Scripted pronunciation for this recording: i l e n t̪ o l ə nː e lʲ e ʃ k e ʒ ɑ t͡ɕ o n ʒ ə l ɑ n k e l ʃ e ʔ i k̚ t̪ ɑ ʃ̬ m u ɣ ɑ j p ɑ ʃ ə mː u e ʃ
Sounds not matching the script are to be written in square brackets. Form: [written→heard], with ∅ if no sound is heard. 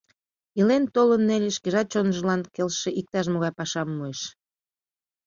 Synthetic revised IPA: i l e n t̪ o l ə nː e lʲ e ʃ k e ʒ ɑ t͡ɕ o n ʒ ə l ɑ n k e l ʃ e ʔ i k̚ t̪ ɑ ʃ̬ m [u→o] ɣ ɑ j p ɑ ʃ [ə→ɑ] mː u e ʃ